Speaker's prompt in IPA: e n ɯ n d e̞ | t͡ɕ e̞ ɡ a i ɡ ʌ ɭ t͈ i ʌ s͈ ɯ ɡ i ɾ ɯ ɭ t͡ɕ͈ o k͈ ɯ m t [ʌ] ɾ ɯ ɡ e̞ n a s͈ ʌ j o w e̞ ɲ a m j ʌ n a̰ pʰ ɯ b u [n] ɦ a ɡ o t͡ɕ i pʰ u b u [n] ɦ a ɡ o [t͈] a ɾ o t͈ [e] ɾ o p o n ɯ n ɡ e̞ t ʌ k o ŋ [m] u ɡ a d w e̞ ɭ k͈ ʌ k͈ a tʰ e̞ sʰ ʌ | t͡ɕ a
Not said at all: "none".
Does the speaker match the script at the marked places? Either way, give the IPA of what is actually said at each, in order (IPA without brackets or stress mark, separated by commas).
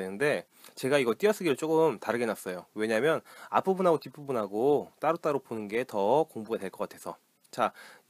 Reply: a, n, n, t͈, a, b